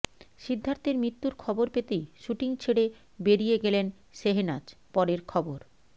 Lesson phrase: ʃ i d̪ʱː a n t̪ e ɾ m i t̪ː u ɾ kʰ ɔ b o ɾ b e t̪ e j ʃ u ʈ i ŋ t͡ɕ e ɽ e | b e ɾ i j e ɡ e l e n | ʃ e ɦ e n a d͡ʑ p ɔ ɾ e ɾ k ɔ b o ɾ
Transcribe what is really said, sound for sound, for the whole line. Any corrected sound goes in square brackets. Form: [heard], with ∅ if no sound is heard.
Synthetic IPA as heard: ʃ i d̪ʱː a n t̪ e ɾ m i t̪ː u ɾ kʰ ɔ b o ɾ [p] e t̪ e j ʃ u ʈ i ŋ [t͡ɕʰ] e ɽ e | b e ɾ i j e ɡ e l e n | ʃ e ɦ e n a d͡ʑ p ɔ ɾ e ɾ [kʰ] ɔ b o ɾ